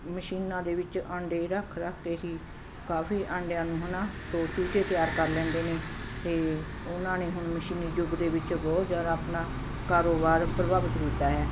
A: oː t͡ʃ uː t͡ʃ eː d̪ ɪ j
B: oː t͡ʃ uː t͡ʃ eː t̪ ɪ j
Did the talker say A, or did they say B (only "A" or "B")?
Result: B